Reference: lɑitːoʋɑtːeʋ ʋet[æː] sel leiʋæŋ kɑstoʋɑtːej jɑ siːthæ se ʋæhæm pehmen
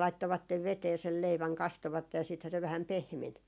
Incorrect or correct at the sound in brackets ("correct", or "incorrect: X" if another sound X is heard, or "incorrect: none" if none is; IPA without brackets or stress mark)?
incorrect: eː